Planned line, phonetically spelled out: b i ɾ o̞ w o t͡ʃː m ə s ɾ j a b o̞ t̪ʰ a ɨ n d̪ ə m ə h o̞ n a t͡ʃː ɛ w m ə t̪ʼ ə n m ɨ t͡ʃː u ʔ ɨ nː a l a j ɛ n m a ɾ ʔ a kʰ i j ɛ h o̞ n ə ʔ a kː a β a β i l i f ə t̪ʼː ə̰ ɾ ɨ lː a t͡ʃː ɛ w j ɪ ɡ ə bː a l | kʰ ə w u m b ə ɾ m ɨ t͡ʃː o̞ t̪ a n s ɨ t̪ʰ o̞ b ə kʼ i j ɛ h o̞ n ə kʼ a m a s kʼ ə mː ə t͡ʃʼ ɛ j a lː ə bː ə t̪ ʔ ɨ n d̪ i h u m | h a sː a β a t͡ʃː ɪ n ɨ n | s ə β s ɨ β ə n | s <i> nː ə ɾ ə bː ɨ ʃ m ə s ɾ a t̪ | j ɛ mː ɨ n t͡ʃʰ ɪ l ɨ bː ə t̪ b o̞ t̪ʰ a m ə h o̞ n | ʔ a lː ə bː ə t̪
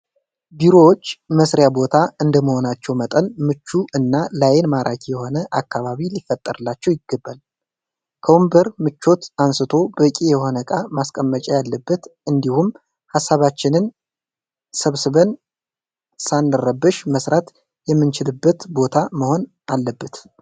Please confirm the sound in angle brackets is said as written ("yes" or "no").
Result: no